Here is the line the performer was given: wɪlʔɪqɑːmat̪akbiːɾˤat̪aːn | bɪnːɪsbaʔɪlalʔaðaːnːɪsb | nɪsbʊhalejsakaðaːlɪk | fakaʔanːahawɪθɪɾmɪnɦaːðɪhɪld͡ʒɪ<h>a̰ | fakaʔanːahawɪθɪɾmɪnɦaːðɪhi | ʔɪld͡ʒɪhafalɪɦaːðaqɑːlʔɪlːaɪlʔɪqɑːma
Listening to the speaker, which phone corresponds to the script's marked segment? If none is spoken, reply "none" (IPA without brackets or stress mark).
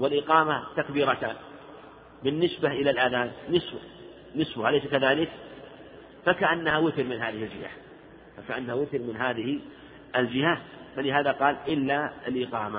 h